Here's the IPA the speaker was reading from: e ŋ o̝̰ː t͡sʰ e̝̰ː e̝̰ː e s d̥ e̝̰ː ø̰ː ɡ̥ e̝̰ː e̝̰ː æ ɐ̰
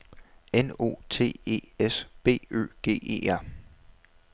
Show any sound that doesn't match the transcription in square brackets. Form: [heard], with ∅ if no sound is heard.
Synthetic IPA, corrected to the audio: e [n] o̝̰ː t͡sʰ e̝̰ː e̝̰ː e s [b̥] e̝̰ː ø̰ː ɡ̥ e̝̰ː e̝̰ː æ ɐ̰